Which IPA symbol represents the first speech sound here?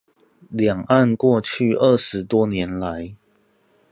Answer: l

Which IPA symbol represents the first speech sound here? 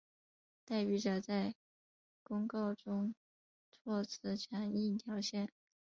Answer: t̪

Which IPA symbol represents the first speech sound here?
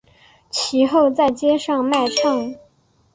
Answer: t͡ɕʰ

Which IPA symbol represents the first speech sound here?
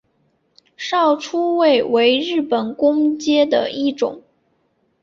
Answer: ʂ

